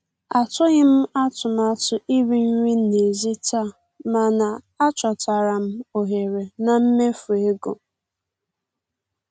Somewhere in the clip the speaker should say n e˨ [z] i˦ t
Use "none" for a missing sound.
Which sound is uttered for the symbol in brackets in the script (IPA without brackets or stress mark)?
z